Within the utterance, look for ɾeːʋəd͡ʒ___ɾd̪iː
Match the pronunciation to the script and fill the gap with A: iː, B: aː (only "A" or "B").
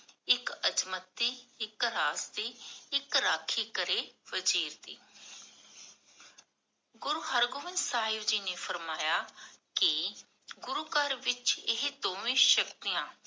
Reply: A